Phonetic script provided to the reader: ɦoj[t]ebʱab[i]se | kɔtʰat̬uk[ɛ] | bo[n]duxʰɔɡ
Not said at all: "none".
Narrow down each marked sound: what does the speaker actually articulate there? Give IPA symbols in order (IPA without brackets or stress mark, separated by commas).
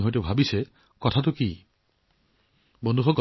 t, i, i, n